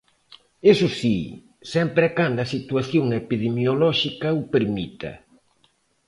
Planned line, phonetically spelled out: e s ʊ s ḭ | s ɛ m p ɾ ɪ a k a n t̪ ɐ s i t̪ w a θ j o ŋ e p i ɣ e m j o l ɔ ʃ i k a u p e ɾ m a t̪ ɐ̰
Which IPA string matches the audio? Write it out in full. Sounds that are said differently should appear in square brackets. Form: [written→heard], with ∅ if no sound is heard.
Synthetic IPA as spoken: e s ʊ s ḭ | s ɛ m p ɾ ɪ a k a n [t̪→d̪] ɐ s i t̪ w a θ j o ŋ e p i [ɣ→ð] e m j o l ɔ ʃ i k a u p e ɾ m [a→i] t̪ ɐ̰